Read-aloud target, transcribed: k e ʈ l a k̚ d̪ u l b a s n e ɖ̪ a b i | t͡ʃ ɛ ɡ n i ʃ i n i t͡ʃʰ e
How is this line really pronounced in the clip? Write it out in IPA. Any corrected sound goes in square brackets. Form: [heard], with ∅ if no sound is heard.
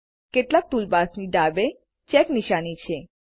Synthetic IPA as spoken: k e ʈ l a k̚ [t̪] u l b a s n [i] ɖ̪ a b [e] | t͡ʃ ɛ [k] n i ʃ [a] n i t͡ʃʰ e